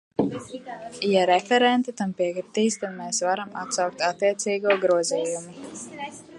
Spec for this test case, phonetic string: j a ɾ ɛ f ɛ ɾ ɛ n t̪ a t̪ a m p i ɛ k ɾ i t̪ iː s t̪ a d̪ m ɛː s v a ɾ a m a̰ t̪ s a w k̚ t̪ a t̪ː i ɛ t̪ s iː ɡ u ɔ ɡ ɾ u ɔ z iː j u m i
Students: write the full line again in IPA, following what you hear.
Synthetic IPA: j a ɾ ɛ f ɛ ɾ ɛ n t̪ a t̪ a m p i ɛ k ɾ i t̪ iː s t̪ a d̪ m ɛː s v a ɾ a m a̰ t̪ s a w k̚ t̪ a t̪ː i ɛ t̪ s iː ɡ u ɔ ɡ ɾ u ɔ z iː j u m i